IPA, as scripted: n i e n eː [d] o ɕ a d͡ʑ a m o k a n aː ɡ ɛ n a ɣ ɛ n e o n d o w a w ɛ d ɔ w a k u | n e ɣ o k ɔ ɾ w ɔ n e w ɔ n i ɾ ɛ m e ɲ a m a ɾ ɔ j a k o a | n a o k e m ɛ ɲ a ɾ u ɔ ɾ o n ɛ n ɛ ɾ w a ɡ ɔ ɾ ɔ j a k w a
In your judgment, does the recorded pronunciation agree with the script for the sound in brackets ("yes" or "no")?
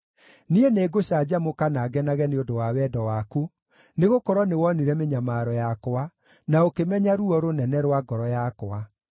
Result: no